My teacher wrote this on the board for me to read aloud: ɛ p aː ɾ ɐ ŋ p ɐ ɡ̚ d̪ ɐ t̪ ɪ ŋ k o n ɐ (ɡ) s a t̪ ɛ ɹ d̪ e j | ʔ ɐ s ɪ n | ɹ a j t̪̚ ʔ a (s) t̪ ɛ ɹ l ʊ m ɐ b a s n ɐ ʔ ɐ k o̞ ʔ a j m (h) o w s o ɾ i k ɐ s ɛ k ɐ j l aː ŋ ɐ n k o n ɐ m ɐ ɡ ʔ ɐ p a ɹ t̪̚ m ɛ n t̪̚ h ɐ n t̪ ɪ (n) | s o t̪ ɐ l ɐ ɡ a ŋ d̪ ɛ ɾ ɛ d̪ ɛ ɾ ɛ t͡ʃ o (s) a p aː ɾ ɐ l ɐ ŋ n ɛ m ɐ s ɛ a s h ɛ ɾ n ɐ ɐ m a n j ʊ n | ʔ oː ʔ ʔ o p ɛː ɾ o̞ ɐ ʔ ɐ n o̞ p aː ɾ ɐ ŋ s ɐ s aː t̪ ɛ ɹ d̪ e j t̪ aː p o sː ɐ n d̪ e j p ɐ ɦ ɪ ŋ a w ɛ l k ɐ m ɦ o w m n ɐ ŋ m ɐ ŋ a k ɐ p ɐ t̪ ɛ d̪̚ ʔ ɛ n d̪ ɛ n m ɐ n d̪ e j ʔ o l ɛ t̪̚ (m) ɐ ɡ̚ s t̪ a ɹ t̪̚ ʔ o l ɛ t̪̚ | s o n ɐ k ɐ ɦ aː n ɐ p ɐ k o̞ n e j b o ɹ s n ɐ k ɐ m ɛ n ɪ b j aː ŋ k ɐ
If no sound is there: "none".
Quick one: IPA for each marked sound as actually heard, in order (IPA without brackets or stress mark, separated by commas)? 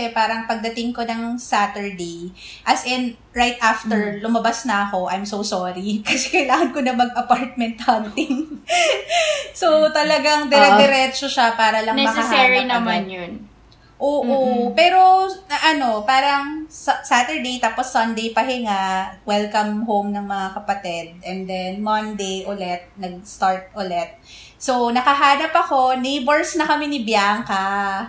ŋ, f, s, ŋ, ʃ, n